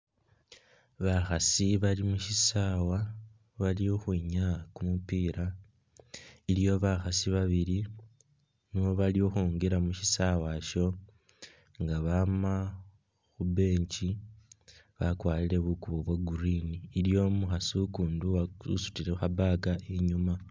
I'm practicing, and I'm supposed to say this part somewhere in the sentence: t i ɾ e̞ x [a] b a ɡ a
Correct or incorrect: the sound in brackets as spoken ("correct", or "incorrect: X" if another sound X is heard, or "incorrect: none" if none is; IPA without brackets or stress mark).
correct